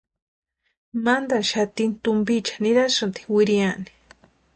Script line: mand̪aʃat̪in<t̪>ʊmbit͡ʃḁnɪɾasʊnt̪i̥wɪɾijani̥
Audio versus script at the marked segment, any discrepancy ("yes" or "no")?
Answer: no